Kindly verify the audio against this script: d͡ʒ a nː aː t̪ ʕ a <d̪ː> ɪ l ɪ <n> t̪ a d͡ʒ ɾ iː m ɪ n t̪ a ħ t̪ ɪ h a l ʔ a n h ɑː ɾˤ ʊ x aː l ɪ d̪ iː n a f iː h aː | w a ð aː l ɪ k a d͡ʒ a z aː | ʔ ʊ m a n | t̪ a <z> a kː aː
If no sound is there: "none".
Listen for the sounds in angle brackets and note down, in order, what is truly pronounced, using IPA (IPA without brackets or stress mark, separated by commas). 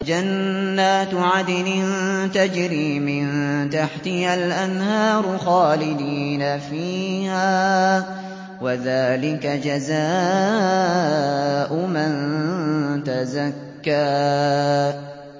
d̪, n, z